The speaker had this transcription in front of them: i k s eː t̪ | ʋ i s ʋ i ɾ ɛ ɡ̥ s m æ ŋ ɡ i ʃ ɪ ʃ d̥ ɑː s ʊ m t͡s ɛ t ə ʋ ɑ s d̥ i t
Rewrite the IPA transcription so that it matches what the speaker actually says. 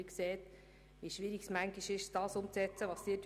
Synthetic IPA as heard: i k s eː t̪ | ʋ i ʃ ʋ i ɾ i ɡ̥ s m æ ŋ ɡ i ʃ ɪ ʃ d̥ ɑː s ʊ m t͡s ɛ t͡s ə ʋ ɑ s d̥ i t

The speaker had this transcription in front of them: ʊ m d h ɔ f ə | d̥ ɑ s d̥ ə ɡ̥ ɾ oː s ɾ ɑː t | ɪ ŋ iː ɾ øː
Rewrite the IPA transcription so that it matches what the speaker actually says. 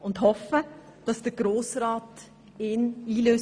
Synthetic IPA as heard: ʊ n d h ɔ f ə | d̥ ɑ s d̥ ə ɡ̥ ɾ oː s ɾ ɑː t | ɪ n iː l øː

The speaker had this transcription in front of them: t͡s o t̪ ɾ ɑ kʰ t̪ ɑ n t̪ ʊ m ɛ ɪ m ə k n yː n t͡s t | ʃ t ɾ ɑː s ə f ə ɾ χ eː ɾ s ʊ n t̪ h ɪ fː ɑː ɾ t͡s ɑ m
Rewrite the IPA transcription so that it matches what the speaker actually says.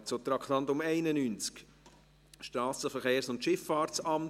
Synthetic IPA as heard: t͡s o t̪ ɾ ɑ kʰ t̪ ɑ n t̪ ʊ m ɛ ɪ n ə n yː n t͡s k | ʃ t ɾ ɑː s ə f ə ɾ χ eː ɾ s ʊ n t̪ ʃ ɪ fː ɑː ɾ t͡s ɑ m

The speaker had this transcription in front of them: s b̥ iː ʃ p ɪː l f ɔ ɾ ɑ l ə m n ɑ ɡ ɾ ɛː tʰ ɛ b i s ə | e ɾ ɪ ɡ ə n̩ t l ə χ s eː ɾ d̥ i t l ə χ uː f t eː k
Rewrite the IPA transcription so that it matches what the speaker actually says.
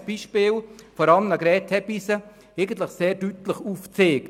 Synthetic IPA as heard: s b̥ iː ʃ p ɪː l f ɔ ɾ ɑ l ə m n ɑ ɡ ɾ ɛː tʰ ɛ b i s ə | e ɪ ɡ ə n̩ t l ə χ s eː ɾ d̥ y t l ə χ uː f t͡s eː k

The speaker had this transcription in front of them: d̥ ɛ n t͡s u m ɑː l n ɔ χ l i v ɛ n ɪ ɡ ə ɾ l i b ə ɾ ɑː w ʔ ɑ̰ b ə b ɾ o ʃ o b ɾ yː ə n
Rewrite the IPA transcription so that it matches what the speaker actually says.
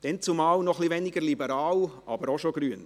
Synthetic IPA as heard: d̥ ɛ n t͡s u m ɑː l n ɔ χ l i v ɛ n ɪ ɡ ə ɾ l i b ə ɾ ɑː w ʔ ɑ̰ b ə ɾ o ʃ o ɡ ɾ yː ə n

